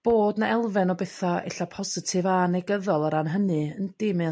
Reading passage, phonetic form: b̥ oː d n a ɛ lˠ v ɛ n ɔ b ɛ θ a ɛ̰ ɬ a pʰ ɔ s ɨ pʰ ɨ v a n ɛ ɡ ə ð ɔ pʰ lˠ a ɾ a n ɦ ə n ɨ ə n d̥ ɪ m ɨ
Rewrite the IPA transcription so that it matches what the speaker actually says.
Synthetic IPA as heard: b̥ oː d n a ɛ lˠ v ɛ n ɔ b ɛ θ a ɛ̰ ɬ a pʰ ɔ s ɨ tʰ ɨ v a n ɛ ɡ ə ð ɔ lˠ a ɾ a n ɦ ə n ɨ ə n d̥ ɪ m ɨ